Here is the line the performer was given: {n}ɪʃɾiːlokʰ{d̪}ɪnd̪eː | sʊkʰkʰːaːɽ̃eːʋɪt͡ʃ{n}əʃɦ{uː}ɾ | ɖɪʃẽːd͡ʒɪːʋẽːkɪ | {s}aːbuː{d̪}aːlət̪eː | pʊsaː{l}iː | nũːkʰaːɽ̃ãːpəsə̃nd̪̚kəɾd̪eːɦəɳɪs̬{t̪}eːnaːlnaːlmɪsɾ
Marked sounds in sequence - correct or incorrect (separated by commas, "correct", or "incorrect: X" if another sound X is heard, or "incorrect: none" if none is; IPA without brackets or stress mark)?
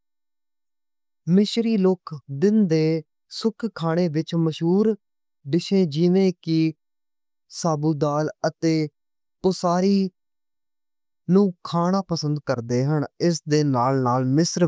incorrect: m, correct, incorrect: m, correct, correct, correct, incorrect: ɾ, incorrect: d̪